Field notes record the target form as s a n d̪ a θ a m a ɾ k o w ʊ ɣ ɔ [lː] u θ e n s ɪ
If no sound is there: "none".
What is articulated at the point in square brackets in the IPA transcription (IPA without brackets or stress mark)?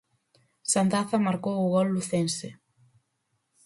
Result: lː